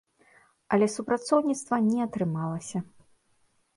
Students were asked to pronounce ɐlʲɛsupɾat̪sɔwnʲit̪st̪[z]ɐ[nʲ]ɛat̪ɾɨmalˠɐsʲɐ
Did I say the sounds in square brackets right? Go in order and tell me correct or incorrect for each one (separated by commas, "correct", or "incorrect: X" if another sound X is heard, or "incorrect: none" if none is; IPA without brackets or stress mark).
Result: incorrect: v, correct